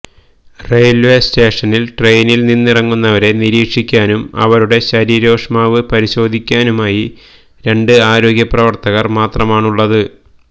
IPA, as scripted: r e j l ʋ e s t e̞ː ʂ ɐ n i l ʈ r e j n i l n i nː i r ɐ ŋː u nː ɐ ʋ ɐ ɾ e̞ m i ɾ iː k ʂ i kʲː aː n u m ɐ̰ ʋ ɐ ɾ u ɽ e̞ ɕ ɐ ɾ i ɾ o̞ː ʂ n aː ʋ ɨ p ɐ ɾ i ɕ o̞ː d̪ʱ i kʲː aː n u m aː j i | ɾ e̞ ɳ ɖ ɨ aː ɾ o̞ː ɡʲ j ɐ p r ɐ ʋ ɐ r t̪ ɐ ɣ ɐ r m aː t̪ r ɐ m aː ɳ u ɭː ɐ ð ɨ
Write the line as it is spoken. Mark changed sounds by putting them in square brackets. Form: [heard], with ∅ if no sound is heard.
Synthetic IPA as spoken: r e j l ʋ e s t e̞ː ʂ ɐ n i l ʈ r e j n i l n i nː i r ɐ ŋː u nː ɐ ʋ ɐ ɾ e̞ [n] i ɾ iː k ʂ i kʲː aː n u m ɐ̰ ʋ ɐ ɾ u ɽ e̞ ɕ ɐ ɾ i ɾ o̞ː ʂ [m] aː ʋ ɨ p ɐ ɾ i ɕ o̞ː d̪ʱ i kʲː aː n u m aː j i | ɾ e̞ ɳ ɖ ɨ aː ɾ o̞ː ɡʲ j ɐ p r ɐ ʋ ɐ r t̪ ɐ ɣ ɐ r m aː t̪ r ɐ m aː ɳ u ɭː ɐ ð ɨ